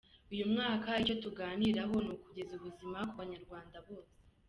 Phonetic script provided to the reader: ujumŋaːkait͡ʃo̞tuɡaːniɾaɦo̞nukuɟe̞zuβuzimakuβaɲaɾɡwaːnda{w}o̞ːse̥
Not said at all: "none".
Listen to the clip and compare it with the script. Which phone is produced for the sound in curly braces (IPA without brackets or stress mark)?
β